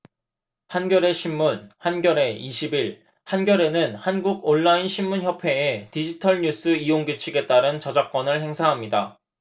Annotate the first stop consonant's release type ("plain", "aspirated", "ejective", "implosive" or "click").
plain